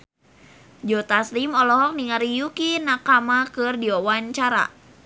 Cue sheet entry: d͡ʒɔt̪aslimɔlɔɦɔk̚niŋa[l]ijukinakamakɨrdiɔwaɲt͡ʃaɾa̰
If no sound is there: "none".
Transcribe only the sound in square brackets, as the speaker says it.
ɾ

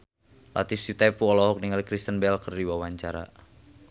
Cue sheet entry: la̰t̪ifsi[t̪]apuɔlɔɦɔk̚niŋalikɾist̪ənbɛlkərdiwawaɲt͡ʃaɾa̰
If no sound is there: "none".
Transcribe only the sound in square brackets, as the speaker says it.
t̪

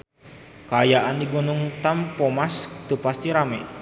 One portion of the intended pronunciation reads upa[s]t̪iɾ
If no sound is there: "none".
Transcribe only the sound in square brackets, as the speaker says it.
s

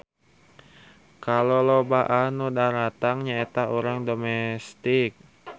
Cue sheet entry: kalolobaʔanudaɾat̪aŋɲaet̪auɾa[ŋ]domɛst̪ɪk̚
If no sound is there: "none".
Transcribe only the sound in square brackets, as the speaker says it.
ŋ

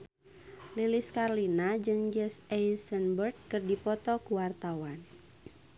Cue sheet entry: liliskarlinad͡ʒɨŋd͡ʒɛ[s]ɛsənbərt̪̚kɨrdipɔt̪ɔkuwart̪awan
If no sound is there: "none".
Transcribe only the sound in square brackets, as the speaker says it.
s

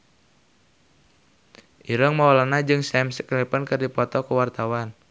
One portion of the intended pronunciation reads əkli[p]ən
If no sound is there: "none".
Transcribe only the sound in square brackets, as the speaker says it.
p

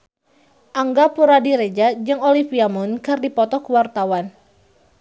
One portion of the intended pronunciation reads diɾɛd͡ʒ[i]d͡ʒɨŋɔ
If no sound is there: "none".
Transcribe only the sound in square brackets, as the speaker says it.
a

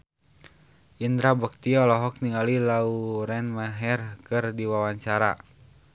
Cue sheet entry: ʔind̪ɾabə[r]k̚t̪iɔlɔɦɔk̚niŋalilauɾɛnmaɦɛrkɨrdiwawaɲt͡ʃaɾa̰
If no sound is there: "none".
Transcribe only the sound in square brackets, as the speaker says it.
none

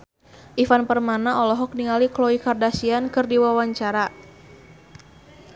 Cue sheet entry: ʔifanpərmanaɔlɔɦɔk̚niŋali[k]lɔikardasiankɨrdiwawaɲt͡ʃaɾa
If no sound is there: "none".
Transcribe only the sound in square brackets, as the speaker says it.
k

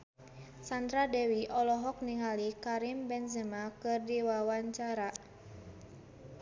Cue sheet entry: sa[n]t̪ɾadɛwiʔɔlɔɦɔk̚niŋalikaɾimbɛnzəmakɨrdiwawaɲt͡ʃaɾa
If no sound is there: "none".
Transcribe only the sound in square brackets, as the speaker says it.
n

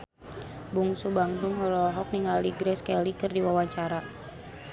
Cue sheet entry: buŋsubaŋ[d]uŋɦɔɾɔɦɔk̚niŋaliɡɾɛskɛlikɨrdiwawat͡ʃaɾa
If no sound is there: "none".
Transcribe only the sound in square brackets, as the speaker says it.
d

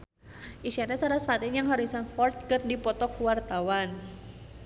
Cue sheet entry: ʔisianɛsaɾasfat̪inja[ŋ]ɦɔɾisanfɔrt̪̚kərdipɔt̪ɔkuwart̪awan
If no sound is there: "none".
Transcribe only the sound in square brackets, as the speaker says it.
ŋ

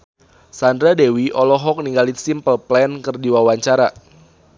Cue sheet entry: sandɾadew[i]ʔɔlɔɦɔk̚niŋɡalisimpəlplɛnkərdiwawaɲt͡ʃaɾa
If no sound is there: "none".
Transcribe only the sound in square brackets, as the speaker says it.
i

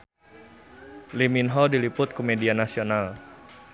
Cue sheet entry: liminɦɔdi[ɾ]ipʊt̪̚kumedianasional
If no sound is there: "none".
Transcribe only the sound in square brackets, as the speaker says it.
l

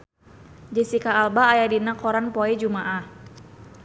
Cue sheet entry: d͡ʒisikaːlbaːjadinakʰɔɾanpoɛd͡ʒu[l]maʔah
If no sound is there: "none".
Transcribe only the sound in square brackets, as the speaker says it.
none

